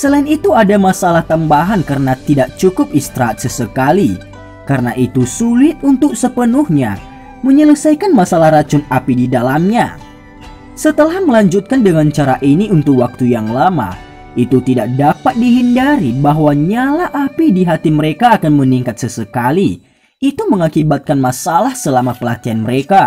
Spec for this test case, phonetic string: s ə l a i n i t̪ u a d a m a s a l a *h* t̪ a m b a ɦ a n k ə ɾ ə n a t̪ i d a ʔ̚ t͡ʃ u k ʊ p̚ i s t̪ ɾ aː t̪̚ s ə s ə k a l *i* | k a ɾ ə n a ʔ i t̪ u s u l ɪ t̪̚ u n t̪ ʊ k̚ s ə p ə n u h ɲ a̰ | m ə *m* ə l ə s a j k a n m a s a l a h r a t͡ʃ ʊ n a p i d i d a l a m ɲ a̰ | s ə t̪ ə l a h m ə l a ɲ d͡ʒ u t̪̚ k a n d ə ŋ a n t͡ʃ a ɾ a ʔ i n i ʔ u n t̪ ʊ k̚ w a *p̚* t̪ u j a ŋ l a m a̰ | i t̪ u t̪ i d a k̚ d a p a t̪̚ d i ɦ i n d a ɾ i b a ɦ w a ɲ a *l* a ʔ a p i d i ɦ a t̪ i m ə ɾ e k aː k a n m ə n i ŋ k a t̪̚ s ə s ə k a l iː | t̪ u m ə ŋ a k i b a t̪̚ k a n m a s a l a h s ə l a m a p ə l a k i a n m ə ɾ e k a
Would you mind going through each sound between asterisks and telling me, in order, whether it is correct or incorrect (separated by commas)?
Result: correct, correct, incorrect, incorrect, correct